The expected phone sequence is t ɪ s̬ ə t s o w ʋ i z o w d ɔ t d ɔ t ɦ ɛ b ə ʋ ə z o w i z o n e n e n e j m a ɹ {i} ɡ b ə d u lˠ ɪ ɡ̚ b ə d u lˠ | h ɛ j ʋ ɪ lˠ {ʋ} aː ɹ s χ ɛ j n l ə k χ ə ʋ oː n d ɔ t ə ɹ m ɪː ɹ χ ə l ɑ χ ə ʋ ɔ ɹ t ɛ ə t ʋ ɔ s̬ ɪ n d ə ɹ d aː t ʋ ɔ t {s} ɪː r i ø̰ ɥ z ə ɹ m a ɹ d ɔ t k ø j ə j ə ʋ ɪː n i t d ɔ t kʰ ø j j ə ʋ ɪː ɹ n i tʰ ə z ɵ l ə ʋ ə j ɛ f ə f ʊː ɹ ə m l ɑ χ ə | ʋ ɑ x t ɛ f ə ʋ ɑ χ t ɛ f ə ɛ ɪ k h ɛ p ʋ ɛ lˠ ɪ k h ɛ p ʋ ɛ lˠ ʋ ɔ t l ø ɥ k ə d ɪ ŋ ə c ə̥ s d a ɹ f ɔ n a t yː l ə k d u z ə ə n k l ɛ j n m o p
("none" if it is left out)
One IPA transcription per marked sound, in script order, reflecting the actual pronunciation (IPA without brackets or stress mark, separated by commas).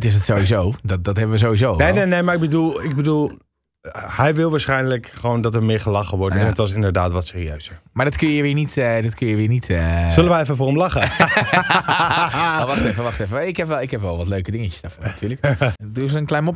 ɪ, ʋ, s